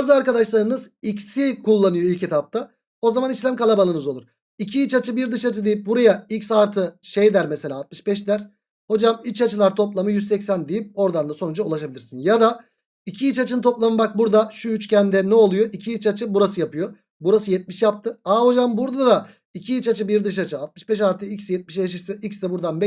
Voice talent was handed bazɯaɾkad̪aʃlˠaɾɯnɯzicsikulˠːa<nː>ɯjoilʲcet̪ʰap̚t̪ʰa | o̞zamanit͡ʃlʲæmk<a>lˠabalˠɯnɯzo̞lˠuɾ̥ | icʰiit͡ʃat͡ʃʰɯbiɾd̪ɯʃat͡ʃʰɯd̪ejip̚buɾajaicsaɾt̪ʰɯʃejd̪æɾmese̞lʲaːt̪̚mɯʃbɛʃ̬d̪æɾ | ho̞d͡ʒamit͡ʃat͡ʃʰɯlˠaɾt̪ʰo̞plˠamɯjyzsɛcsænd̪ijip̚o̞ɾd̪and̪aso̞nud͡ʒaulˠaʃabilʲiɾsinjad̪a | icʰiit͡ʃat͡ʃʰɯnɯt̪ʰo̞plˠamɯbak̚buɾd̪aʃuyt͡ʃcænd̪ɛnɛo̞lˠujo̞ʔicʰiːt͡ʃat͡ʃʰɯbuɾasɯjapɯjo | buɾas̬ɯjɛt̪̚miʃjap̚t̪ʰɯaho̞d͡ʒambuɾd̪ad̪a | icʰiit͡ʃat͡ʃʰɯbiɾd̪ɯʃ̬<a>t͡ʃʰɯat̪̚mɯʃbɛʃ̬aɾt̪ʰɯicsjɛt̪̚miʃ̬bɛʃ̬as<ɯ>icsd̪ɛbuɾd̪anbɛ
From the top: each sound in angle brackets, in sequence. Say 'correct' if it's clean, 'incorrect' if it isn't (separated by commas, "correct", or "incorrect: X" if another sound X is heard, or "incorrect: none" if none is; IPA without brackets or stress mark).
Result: incorrect: n, correct, correct, correct